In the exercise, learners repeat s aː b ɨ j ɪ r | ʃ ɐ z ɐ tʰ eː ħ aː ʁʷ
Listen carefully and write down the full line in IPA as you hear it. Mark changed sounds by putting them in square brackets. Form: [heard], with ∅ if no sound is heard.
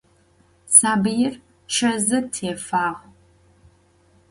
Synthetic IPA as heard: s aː b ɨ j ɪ r | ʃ ɐ z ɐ tʰ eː [f] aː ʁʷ